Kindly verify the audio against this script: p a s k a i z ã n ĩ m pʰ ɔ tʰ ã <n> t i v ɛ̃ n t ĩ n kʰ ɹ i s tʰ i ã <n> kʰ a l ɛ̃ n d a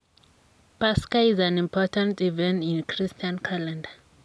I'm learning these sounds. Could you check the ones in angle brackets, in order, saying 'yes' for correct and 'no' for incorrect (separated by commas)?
yes, yes